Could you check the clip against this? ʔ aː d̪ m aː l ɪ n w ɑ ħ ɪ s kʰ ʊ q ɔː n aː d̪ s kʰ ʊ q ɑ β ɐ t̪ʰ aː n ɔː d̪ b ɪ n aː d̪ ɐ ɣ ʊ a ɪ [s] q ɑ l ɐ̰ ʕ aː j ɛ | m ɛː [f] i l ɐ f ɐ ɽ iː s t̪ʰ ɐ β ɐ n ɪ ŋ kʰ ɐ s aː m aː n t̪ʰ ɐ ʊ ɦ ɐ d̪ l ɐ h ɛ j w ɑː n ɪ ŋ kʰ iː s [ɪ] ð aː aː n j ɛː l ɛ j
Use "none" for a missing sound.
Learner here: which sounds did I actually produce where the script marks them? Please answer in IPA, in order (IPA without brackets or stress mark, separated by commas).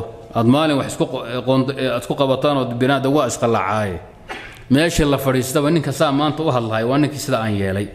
s, ʃ, ɪ